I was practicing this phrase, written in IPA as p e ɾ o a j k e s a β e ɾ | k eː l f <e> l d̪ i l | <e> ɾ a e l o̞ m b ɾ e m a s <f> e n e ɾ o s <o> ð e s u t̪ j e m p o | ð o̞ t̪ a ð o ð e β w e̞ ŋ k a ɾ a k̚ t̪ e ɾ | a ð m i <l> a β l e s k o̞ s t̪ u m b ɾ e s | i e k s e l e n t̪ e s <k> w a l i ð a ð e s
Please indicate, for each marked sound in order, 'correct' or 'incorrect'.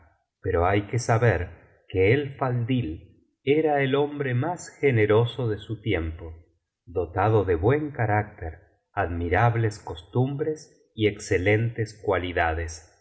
incorrect, correct, incorrect, correct, incorrect, correct

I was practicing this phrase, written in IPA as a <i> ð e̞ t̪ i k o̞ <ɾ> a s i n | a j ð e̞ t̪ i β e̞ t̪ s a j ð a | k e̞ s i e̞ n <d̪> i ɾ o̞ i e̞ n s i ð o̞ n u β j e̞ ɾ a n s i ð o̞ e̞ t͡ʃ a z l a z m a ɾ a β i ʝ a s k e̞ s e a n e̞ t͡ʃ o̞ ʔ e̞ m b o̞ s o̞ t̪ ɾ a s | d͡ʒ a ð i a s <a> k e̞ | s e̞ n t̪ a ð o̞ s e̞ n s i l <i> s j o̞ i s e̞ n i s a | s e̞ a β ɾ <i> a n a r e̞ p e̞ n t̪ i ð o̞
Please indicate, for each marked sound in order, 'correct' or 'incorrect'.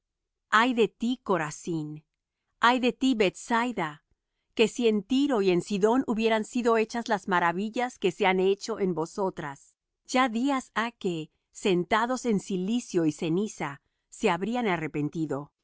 incorrect, correct, incorrect, correct, correct, correct

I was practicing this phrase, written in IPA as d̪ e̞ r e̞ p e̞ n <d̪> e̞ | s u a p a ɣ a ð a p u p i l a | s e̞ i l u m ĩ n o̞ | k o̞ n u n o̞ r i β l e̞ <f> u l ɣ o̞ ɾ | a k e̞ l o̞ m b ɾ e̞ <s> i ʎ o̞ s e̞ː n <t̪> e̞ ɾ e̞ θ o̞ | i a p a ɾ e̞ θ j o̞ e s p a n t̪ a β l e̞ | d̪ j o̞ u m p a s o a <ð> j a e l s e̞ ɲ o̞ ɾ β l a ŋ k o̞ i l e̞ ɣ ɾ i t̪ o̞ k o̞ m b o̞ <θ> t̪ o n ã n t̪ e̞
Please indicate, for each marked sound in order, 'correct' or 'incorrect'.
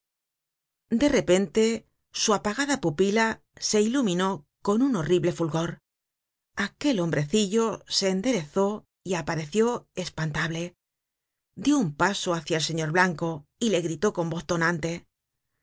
incorrect, correct, incorrect, incorrect, incorrect, correct

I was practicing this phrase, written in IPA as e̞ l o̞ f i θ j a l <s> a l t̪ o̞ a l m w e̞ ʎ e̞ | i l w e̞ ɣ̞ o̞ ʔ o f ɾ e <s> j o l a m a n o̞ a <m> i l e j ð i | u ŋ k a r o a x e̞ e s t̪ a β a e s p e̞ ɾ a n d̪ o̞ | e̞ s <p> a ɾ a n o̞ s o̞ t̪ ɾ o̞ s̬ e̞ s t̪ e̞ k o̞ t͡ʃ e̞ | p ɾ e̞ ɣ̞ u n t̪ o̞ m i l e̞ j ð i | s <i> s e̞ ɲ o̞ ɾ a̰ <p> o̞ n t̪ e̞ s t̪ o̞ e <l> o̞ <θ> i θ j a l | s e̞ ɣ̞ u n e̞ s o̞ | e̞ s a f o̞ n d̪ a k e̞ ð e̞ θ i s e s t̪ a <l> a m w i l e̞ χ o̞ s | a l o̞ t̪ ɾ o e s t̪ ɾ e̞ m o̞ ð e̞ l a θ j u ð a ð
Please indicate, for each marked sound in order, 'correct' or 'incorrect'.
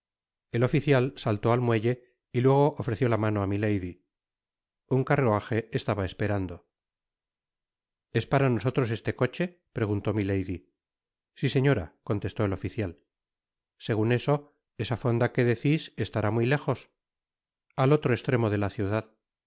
correct, incorrect, correct, correct, correct, incorrect, correct, incorrect, incorrect

